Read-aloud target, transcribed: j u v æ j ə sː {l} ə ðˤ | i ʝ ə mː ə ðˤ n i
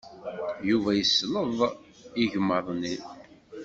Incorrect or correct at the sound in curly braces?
correct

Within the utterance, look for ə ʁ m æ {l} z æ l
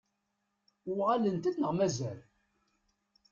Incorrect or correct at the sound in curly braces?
incorrect: none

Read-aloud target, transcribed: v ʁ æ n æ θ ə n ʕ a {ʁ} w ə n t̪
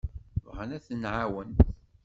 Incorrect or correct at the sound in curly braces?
incorrect: none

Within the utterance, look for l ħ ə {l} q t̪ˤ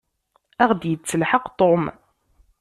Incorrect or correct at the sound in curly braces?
incorrect: none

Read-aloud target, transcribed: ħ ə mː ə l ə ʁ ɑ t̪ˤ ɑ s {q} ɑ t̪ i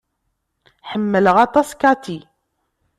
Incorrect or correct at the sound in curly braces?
incorrect: k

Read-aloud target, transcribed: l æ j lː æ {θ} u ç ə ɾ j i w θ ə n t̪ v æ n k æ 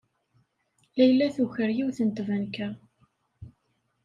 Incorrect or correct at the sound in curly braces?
correct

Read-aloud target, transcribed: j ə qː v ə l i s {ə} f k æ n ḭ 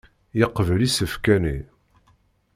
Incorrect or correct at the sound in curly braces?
correct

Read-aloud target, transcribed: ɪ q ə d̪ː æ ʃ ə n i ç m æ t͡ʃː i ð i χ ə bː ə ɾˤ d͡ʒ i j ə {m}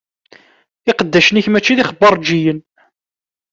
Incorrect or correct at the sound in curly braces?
incorrect: n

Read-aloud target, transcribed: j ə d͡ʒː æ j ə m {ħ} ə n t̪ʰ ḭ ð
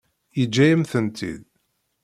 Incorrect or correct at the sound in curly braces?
incorrect: θ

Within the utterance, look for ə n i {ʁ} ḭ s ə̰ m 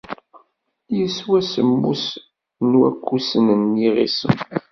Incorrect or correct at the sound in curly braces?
correct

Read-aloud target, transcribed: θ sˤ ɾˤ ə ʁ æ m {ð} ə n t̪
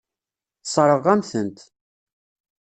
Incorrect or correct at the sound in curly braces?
incorrect: θ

